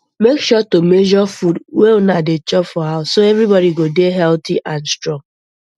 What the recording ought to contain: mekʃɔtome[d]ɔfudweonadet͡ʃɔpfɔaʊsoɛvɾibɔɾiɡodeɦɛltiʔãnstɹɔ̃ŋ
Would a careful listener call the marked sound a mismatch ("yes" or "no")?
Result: yes